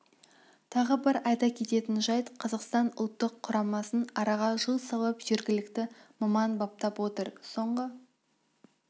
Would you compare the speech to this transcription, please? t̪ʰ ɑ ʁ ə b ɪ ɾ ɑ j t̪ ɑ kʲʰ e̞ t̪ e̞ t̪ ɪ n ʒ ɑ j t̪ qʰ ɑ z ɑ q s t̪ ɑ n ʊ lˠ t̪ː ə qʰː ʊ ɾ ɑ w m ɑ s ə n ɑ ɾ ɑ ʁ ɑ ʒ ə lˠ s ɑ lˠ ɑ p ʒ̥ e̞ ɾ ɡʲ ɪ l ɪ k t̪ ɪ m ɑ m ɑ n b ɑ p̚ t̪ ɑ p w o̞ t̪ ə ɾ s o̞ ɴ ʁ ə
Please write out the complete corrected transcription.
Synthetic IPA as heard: t̪ʰ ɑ ʁ ə b ɪ ɾ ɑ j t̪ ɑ kʲʰ e̞ t̪ e̞ t̪ ɪ n ʒ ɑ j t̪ qʰ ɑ z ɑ q s t̪ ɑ n ʊ lˠ t̪ː ə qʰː ʊ ɾ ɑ m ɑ s ə n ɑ ɾ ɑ ʁ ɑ ʒ ə lˠ s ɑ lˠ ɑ p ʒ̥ e̞ ɾ ɡʲ ɪ l ɪ k t̪ ɪ m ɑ m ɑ n b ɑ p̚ t̪ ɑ p w o̞ t̪ ə ɾ s o̞ ɴ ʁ ə

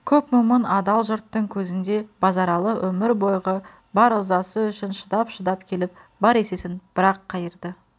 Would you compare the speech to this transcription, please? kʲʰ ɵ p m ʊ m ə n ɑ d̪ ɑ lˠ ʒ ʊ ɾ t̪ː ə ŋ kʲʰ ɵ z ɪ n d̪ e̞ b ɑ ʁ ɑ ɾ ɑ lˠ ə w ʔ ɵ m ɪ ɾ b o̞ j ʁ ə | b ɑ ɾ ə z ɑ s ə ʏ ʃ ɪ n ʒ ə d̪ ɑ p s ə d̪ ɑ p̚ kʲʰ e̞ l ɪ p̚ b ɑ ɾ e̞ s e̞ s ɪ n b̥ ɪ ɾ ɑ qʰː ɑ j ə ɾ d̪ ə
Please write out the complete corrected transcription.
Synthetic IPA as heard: kʲʰ ɵ p m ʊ m ə n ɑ d̪ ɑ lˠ ʒ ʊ ɾ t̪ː ə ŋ kʲʰ ɵ z ɪ n d̪ e̞ b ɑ z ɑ ɾ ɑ lˠ ə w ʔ ɵ m ɪ ɾ b o̞ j ʁ ə | b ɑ ɾ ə z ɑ s ə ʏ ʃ ɪ n ʃ ə d̪ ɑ p ʃ ə d̪ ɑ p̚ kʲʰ e̞ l ɪ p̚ b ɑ ɾ e̞ s e̞ s ɪ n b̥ ɪ ɾ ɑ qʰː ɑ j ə ɾ d̪ ə

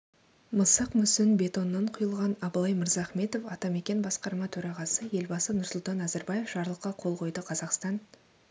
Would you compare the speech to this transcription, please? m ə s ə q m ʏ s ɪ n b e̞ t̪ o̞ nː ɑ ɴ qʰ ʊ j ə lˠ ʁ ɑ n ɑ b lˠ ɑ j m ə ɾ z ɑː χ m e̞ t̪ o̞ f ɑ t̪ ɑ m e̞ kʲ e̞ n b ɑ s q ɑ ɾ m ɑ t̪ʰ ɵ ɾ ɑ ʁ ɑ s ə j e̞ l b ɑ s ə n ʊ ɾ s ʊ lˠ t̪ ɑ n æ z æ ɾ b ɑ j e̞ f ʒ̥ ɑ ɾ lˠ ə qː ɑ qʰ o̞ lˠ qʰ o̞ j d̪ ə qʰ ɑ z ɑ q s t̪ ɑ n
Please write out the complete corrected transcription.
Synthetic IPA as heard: m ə s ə q m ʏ s ɪ n b e̞ t̪ o̞ nː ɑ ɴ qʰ ʊ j ə lˠ ʁ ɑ n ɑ b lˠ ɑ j m ə ɾ z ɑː χ m e̞ t̪ o̞ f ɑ t̪ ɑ m e̞ kʲ e̞ n b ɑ s q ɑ ɾ m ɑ t̪ʰ ɵ ɾ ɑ ʁ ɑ s ə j e̞ l b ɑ s ə n ʊ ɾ s ʊ lˠ t̪ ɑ n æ z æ ɾ b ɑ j e̞ f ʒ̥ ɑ ɾ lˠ ə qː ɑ qʰ o̞ lˠ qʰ o̞ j d̪ ə qʰ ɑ z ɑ q s t̪ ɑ n

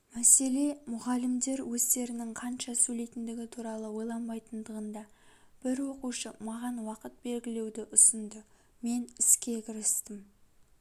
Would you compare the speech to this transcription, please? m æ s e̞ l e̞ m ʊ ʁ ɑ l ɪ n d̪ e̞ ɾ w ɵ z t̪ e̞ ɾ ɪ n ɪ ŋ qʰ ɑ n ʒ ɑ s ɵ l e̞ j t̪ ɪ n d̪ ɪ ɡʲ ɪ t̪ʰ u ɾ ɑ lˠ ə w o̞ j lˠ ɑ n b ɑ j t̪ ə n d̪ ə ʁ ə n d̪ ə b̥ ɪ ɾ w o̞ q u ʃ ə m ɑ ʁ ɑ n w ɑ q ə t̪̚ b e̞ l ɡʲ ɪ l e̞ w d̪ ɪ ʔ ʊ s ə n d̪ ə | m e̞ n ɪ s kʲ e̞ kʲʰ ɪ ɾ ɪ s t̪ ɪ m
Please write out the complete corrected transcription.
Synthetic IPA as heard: m æ s e̞ l e̞ m ʊ ʁ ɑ l ɪ m d̪ e̞ ɾ w ɵ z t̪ e̞ ɾ ɪ n ɪ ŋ qʰ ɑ n ʃ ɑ s ɵ l e̞ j t̪ ɪ n d̪ ɪ ɡʲ ɪ t̪ʰ u ɾ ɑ lˠ ə w o̞ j lˠ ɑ n b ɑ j t̪ ə n d̪ ə ʁ ə n d̪ ɑ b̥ ɪ ɾ w o̞ q u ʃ ə m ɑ ʁ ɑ n w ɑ q ə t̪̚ b e̞ l ɡʲ ɪ l e̞ w d̪ ɪ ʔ ʊ s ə n d̪ ə | m e̞ n ɪ s kʲ e̞ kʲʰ ɪ ɾ ɪ s t̪ ɪ m

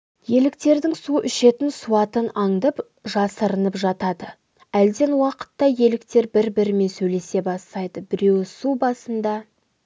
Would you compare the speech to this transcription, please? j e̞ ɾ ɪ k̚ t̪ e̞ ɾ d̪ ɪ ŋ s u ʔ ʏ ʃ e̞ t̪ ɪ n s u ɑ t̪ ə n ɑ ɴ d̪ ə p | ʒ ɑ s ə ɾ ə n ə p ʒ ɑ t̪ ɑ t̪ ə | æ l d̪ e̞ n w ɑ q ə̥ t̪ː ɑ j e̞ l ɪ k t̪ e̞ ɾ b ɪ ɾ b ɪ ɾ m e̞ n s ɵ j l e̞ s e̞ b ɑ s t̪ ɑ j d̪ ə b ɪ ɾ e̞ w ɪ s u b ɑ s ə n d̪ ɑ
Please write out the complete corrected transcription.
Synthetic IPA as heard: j e̞ l ɪ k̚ t̪ e̞ ɾ d̪ ɪ ŋ s u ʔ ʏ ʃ e̞ t̪ ɪ n s u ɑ t̪ ə n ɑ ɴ d̪ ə p | ʒ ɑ s ə ɾ ə n ə p ʒ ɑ t̪ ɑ d̪ ə | æ l d̪ e̞ n w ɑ q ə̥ t̪ː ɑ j e̞ l ɪ k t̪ e̞ ɾ b ɪ ɾ b ɪ ɾ m e̞ n s ɵ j l e̞ s e̞ b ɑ s t̪ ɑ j d̪ ə b ɪ ɾ e̞ w ɪ s u b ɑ s ə n d̪ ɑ

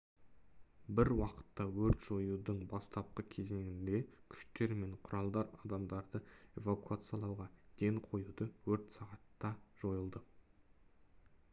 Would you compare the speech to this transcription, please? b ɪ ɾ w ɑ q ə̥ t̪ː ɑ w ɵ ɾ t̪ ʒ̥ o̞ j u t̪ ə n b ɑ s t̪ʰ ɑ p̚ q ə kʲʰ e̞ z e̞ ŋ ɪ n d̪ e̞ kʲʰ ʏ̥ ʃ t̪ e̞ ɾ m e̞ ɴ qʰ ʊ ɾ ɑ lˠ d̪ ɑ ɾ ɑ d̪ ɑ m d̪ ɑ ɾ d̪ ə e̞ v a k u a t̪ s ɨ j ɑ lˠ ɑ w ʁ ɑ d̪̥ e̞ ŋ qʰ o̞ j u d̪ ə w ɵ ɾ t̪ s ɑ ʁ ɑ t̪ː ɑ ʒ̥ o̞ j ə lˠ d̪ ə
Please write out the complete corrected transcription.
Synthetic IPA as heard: b ɪ ɾ w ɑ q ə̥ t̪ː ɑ w ɵ ɾ t̪ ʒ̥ o̞ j u d̪ ə ɴ b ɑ s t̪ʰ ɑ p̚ q ə kʲʰ e̞ z e̞ ŋ ɪ n d̪ e̞ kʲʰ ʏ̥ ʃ t̪ e̞ ɾ m e̞ ɴ qʰ ʊ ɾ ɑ lˠ d̪ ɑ ɾ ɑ d̪ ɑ m d̪ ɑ ɾ d̪ ə e̞ v a k u a t̪ s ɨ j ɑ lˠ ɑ w ʁ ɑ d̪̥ e̞ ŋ qʰ o̞ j u d̪ ə w ɵ ɾ t̪ s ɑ ʁ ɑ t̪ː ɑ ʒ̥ o̞ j ə lˠ d̪ ə

